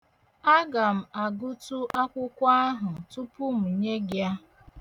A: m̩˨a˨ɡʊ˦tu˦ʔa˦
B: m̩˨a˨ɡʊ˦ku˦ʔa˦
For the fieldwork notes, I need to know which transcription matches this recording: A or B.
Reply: A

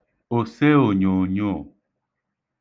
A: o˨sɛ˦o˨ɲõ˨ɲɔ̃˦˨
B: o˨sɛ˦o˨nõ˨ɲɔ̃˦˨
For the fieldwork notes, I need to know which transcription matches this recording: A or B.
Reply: A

